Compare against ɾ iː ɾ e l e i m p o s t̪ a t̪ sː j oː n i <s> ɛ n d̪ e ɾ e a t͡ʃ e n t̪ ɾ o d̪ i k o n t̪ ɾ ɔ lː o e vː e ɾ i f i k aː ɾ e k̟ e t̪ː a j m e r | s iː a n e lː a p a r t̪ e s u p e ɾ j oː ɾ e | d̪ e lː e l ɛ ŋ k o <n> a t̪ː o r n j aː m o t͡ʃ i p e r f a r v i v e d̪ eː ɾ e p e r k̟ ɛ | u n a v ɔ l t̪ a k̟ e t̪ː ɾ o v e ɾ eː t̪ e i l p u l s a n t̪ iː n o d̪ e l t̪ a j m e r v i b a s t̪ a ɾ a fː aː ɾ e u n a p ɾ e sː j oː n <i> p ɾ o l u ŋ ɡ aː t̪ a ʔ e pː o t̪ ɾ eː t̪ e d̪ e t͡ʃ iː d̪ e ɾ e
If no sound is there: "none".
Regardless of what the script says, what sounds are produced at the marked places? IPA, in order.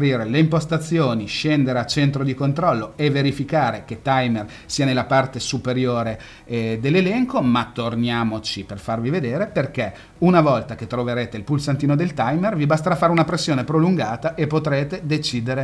ʃ, m, e

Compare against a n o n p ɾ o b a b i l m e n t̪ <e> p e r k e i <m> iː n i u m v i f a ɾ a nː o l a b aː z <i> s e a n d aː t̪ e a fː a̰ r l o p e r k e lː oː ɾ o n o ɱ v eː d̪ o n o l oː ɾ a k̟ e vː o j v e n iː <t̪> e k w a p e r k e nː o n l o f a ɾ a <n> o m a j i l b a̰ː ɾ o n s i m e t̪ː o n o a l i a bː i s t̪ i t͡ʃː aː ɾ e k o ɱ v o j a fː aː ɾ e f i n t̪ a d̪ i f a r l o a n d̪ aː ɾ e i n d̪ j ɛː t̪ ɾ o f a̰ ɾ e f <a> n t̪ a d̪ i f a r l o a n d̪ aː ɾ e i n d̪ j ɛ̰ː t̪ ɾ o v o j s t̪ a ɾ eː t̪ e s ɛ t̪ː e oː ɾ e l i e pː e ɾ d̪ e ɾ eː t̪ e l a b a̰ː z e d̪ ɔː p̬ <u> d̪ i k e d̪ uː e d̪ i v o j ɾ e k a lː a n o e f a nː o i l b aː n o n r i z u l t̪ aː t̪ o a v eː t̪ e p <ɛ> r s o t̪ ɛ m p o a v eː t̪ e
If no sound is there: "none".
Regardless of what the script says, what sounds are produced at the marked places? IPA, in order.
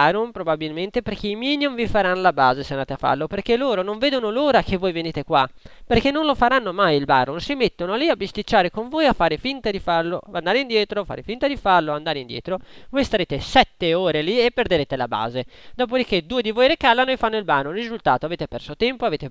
e, m, e, t̪, nː, i, o, ɛ

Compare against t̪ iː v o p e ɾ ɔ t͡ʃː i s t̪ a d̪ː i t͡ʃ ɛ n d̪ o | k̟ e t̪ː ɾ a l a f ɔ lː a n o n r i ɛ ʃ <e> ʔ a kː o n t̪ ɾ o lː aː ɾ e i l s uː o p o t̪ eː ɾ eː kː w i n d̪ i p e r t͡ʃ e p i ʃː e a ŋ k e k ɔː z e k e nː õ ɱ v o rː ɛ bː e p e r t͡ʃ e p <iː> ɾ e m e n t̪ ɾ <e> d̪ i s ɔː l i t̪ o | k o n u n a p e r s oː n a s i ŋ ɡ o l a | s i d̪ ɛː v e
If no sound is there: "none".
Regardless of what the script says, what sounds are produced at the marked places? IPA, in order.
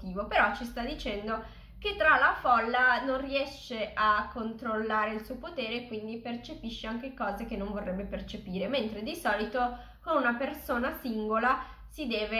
e, iː, e

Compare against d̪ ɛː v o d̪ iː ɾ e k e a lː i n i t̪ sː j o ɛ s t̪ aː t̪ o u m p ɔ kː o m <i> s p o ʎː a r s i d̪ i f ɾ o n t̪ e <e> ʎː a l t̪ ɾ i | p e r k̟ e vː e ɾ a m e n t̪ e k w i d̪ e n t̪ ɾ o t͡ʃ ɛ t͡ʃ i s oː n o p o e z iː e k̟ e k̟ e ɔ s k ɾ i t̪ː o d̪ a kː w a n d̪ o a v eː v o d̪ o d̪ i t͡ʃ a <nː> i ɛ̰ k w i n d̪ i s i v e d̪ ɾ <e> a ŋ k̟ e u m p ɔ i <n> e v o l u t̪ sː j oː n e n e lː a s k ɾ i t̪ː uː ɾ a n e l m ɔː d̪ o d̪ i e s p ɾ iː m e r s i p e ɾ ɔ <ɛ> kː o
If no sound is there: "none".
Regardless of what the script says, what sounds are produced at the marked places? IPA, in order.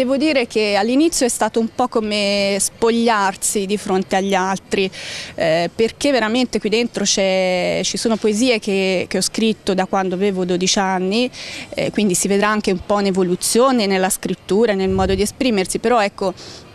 e, a, nː, a, n, ɛ

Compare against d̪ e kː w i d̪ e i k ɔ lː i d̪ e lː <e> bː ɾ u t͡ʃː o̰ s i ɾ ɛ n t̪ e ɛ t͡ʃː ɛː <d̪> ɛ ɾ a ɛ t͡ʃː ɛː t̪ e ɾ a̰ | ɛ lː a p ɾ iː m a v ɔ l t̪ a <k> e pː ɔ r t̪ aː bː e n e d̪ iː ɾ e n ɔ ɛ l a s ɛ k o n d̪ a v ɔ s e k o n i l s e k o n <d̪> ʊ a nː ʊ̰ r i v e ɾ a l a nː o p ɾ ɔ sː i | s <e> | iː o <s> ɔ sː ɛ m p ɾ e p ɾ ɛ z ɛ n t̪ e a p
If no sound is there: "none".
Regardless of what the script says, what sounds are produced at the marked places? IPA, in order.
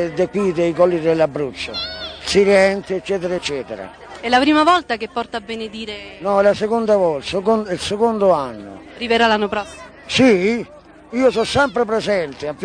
a, t̪, k, d̪, i, s

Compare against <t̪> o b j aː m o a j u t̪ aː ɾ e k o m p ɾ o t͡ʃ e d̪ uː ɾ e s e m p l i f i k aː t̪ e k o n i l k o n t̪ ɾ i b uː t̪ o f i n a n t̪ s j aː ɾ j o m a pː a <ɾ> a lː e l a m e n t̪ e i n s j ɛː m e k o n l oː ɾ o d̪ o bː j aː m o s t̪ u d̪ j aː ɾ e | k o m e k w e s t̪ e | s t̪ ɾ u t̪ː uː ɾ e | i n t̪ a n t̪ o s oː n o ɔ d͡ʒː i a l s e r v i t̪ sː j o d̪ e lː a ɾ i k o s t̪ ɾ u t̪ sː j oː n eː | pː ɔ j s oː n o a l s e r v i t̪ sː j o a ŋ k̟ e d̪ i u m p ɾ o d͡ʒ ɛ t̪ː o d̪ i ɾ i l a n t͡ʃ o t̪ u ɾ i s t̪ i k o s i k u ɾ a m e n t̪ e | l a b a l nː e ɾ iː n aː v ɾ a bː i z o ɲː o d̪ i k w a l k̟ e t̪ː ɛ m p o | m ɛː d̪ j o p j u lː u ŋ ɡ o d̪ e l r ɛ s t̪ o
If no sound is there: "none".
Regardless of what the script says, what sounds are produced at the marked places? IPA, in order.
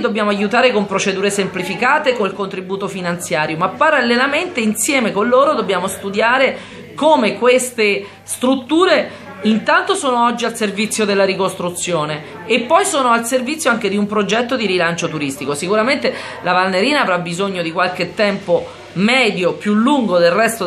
d̪, ɾ

